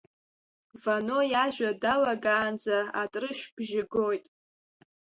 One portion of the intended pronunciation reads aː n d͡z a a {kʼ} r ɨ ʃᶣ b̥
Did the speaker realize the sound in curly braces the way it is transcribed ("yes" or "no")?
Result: no